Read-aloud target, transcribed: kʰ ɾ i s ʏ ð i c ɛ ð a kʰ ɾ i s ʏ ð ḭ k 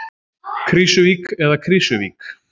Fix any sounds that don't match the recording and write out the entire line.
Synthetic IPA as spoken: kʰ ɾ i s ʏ v i k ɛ ð a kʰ ɾ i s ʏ v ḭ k

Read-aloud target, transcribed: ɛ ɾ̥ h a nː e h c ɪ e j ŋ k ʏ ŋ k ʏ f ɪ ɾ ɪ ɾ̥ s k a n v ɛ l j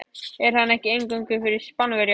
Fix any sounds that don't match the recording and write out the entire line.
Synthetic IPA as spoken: ɛ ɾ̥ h a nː ɛ h c ɪ e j ŋ k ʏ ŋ k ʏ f ɪ ɾ ɪ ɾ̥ s p a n v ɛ ɾ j

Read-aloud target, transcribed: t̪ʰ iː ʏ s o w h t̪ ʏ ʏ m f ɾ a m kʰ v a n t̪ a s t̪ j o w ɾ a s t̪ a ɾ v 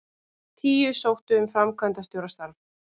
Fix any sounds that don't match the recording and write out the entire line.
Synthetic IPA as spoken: t̪ʰ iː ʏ s o w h t̪ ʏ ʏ m f ɾ a m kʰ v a n t̪ a s t̪ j o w ɾ a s t̪ a ɾ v

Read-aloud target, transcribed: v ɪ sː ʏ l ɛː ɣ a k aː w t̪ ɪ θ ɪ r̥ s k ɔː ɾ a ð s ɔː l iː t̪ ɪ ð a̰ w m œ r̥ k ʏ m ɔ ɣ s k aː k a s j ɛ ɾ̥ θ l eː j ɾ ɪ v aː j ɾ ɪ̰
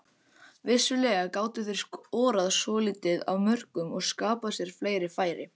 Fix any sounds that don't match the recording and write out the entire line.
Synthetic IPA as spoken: v ɪ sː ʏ l ɛː ɣ a k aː w t̪ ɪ θ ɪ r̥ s k ɔː ɾ a ð s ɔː l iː t̪ ɪ ð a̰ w m œ r̥ k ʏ m ɔ ɣ s k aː p a s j ɛ ɾ̥ f l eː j ɾ ɪ f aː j ɾ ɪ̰

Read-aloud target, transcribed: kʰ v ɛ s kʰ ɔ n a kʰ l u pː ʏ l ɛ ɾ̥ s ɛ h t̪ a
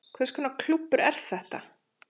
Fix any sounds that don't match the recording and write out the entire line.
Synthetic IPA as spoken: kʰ v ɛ s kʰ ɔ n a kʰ l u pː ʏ ɾ ɛ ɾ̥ θ ɛ h t̪ a

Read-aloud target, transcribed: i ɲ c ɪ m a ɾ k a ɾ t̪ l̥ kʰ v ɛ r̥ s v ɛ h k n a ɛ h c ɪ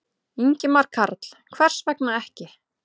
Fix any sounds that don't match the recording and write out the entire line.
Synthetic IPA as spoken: i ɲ c ɪ m a ɾ kʰ a ɾ t̪ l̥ kʰ v ɛ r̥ s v ɛ k n a ɛ h c ɪ

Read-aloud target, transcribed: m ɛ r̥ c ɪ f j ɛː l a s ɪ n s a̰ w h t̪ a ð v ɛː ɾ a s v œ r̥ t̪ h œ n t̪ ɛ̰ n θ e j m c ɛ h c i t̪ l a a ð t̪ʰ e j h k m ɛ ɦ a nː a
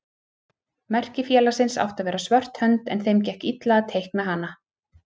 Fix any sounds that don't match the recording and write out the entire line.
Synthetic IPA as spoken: m ɛ r̥ c ɪ f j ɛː l a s ɪ n s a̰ w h t̪ a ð v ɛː ɾ a s v œ r̥ t̪ h œ n t̪ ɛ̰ n θ e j m c ɛ h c i t̪ l a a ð t̪ʰ e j h k m ɛ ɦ a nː a

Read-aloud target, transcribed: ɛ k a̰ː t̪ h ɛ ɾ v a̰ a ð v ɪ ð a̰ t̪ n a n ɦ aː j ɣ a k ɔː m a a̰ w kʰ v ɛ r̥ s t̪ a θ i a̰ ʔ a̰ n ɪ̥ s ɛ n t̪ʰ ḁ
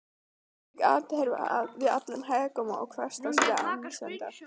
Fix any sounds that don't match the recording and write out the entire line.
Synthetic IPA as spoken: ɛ k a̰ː t̪ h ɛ ɾ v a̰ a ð v ɪ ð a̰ t̪ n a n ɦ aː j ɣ a k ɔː m a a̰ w kʰ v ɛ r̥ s t̪ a s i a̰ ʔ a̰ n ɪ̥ s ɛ n t̪ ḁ

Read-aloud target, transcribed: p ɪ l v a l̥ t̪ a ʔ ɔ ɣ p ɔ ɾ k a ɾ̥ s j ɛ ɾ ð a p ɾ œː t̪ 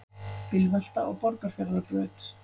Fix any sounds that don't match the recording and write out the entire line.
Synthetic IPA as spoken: p ɪ l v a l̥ t̪ a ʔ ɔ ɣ p ɔ ɾ k a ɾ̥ f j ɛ ɾ ð a p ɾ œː t̪

